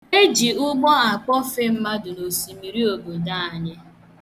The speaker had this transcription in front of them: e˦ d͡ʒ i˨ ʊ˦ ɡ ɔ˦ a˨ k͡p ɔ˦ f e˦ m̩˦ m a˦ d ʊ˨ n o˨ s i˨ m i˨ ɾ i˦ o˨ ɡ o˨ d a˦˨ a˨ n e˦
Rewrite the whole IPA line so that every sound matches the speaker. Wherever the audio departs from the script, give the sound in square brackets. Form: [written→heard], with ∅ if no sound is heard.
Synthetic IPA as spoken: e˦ d͡ʒ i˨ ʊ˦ [ɡ→ɡ͡b] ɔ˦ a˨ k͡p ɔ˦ f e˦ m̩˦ m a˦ d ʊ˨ n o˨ s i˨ m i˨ ɾ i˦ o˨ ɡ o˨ d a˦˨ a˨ [n→ɲ] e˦